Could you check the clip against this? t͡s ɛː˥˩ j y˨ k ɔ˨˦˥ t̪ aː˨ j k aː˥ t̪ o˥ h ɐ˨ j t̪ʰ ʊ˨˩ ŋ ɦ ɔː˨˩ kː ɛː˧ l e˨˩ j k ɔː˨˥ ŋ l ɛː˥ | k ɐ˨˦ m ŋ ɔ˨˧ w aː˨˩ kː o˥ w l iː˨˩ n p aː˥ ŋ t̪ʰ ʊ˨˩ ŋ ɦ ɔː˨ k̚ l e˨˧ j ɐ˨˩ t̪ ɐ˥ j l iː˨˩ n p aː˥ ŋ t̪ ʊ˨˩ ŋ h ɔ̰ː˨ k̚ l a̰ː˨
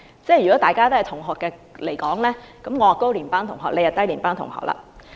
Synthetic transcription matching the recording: t͡s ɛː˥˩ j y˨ k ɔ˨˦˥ t̪ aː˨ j k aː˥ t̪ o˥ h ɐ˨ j t̪ʰ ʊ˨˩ ŋ ɦ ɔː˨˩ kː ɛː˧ l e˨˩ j k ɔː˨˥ ŋ l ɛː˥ | k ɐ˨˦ m ŋ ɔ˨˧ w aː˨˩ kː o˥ w l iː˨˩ n p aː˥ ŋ t̪ʰ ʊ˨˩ ŋ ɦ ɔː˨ k̚ l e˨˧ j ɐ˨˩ t̪ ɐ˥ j l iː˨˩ n p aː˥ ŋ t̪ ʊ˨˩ ŋ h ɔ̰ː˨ k̚ l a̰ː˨

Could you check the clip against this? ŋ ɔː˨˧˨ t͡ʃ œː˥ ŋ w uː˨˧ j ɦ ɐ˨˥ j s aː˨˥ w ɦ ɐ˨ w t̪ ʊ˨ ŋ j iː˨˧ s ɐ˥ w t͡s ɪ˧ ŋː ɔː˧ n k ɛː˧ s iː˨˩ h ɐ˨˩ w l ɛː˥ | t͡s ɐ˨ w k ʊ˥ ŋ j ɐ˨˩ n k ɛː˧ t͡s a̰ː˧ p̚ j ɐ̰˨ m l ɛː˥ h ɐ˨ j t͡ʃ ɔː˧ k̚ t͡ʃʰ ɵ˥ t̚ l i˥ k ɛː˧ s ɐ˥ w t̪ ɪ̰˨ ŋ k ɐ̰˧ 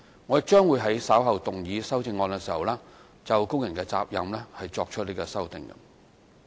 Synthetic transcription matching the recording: ŋ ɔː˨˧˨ t͡ʃ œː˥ ŋ w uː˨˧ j ɦ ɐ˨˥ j s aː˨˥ w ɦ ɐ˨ w t̪ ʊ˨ ŋ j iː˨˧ s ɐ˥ w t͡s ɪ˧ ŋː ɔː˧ n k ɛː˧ s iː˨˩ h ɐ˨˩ w l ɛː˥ | t͡s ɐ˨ w k ʊ˥ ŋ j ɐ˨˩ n k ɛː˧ t͡s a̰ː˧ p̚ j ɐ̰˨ m l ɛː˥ h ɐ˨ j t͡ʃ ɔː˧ k̚ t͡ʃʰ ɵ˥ t̚ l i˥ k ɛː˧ s ɐ˥ w t̪ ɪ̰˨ ŋ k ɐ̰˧

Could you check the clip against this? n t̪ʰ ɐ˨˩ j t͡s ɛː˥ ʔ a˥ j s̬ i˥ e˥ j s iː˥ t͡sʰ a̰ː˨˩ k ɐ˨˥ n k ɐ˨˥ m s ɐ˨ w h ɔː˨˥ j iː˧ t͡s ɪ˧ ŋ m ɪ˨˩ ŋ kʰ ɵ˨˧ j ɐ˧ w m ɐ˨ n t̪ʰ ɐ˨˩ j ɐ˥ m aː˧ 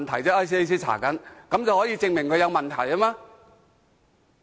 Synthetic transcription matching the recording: n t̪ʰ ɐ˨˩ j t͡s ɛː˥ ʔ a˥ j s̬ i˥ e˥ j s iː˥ t͡sʰ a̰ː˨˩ k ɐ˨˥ n k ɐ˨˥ m t͡s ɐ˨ w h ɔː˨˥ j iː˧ t͡s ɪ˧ ŋ m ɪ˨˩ ŋ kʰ ɵ˨˧ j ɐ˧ w m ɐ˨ n t̪ʰ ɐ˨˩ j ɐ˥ m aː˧

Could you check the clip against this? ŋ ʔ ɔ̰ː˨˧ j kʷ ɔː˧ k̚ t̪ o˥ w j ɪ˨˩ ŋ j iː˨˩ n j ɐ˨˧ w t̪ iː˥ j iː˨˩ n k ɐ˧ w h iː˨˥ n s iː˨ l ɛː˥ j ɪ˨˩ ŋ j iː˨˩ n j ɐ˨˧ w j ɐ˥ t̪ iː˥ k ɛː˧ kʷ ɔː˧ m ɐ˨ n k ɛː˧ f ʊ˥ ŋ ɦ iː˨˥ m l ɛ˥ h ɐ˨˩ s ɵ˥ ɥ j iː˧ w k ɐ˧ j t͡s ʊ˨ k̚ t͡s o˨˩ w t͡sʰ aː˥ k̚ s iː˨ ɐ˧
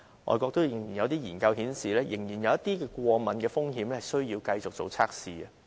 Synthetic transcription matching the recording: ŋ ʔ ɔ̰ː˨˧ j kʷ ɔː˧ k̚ t̪ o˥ w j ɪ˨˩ ŋ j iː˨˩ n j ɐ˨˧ w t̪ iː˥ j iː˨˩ n k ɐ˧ w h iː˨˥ n s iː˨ l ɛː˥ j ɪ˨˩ ŋ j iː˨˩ n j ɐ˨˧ w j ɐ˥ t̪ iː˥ k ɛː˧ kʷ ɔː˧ m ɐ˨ n k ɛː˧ f ʊ˥ ŋ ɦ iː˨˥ m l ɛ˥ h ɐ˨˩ s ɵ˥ ɥ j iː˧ w k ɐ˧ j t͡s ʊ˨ k̚ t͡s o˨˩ w t͡sʰ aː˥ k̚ s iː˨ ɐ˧

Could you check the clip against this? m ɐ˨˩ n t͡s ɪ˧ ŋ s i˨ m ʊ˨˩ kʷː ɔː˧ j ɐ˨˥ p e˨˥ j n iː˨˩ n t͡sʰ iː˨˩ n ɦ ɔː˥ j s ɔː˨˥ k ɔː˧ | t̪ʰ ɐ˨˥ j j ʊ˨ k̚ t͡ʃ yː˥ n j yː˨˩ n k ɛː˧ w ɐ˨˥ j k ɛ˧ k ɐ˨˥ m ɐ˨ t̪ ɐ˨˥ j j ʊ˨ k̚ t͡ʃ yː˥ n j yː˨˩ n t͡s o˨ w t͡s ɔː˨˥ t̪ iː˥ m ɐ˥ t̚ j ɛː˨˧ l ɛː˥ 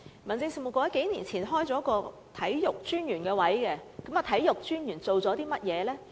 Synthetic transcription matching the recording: m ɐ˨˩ n t͡s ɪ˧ ŋ s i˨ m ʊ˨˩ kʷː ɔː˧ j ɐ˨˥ k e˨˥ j n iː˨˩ n t͡sʰ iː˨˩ n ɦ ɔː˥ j t͡s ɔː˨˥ k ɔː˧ | t̪ʰ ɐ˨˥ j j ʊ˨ k̚ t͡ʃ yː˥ n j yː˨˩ n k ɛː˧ w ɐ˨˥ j k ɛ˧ k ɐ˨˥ m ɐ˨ t̪ʰ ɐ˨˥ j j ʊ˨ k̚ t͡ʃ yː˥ n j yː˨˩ n t͡s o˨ w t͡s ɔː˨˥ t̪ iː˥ m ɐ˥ t̚ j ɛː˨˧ l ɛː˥

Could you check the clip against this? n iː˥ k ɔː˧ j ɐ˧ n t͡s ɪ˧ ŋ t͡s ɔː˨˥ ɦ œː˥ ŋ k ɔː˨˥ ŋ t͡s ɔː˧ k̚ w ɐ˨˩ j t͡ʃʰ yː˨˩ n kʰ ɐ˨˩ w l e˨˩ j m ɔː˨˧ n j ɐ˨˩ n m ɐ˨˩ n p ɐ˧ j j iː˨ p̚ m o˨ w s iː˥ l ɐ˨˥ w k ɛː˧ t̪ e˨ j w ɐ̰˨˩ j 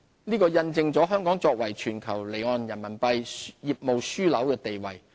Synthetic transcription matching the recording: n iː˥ k ɔː˧ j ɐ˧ n t͡s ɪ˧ ŋ t͡s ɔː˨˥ ɦ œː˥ ŋ k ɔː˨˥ ŋ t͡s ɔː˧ k̚ w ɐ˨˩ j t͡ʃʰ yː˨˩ n kʰ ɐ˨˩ w l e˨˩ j ŋ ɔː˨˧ n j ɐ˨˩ n m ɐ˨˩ n p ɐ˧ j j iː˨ p̚ m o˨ w s yː˥ l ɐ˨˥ w k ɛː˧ t̪ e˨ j w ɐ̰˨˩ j

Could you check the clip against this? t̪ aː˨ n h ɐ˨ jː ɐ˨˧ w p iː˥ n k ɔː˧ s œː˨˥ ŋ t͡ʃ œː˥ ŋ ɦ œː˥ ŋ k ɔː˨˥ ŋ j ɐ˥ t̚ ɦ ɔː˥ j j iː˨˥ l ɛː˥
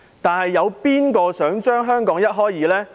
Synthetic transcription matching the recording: t̪ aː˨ n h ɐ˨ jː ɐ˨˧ w p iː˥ n k ɔː˧ s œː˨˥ ŋ t͡ʃ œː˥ ŋ ɦ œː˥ ŋ k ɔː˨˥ ŋ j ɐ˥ t̚ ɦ ɔː˥ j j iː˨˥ l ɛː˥

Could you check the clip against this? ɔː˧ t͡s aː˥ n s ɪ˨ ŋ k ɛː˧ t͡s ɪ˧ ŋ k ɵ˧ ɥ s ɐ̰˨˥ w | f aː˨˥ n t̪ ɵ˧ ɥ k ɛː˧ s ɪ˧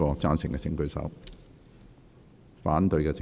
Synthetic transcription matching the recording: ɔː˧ t͡s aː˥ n s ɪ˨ ŋ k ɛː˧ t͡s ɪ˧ ŋ k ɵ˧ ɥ s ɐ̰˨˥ w | f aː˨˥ n t̪ ɵ˧ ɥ k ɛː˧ t͡s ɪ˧

